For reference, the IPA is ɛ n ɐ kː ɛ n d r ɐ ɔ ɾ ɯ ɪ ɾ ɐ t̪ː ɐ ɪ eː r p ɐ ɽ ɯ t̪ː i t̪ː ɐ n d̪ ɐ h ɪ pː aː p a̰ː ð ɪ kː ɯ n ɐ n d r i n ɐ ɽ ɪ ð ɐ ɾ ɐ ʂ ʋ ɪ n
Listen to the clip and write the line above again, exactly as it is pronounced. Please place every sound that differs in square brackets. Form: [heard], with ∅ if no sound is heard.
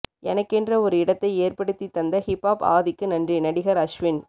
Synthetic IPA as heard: ɛ n ɐ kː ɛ n d r ɐ ɔ ɾ ɯ ɪ [ɽ] ɐ t̪ː ɐ ɪ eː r p ɐ ɽ ɯ t̪ː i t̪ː ɐ n d̪ ɐ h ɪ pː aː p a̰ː ð ɪ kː ɯ n ɐ n d r i n ɐ ɽ ɪ [ɣ] ɐ ɾ ɐ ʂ ʋ ɪ n